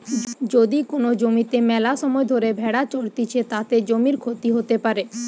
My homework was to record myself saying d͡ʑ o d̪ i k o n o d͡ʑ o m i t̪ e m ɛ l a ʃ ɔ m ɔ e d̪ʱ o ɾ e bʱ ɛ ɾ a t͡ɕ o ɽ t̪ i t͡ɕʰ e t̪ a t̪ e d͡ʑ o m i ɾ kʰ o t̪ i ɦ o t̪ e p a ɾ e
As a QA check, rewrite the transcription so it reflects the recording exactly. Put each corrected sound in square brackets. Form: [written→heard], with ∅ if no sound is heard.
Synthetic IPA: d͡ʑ o d̪ i k o n o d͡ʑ o m i t̪ e m ɛ l a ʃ ɔ m ɔ e d̪ʱ o ɾ e bʱ ɛ [ɾ→ɽ] a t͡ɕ o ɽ t̪ i t͡ɕʰ e t̪ a t̪ e d͡ʑ o m i ɾ kʰ o t̪ i ɦ o t̪ e p a ɾ e